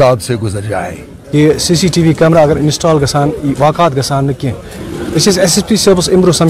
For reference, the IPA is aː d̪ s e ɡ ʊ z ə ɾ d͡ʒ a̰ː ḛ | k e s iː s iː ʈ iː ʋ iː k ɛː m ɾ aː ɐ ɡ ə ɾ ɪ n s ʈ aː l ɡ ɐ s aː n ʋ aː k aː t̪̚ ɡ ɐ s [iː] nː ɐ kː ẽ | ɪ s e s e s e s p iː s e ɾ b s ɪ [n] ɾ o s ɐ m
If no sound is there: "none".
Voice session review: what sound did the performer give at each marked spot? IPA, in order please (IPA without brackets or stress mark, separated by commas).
aː, m